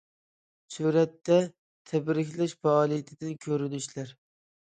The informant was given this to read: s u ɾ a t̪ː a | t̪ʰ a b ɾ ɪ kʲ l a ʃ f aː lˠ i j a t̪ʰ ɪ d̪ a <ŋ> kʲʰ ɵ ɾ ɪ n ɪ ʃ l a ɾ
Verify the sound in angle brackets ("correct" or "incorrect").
incorrect